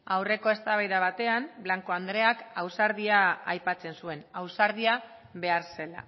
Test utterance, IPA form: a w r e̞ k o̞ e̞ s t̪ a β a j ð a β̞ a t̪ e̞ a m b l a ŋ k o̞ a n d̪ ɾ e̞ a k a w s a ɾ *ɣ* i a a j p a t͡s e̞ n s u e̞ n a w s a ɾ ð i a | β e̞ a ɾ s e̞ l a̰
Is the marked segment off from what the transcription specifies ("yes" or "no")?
yes